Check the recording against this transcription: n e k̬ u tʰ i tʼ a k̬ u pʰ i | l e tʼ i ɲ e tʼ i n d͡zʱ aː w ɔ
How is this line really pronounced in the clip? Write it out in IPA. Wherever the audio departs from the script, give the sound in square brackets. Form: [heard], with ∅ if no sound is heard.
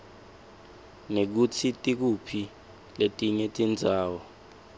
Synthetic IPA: n e k̬ u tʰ i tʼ [i] k̬ u pʰ i | l e tʼ i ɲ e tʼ i n d͡zʱ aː w ɔ